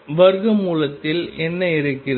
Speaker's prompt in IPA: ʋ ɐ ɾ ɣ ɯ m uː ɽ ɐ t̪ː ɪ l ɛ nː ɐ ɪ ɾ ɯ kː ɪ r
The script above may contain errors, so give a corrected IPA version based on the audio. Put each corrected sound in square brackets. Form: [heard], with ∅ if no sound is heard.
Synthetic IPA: ʋ ɐ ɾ ɣ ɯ m uː [l] ɐ t̪ː ɪ l ɛ nː ɐ ɪ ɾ ɯ kː ɪ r